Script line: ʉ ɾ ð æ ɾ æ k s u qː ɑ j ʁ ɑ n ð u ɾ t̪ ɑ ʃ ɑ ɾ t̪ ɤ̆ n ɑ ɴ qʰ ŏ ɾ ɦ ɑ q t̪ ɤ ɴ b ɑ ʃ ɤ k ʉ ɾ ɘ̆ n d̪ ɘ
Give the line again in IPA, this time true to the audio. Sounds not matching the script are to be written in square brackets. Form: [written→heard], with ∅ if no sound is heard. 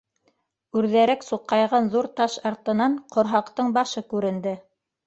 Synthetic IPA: ʉ ɾ ð æ ɾ æ k s u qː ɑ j ʁ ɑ n ð u ɾ t̪ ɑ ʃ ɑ ɾ t̪ ɤ̆ n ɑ ɴ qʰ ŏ ɾ ɦ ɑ q t̪ ɤ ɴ b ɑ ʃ ɤ k ʉ ɾ ɘ̆ n d̪ ɘ